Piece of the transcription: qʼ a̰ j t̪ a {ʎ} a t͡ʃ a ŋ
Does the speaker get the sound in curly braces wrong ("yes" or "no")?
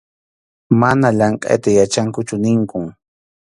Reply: yes